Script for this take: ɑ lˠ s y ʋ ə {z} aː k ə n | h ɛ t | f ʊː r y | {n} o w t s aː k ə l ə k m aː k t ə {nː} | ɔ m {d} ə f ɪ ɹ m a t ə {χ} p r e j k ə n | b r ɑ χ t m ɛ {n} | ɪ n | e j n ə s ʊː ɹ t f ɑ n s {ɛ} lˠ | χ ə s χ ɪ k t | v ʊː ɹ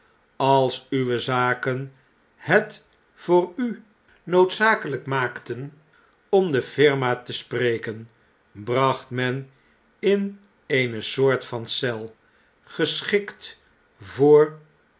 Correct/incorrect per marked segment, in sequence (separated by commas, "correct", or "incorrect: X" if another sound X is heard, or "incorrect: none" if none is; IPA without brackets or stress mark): correct, correct, incorrect: n, correct, incorrect: s, correct, correct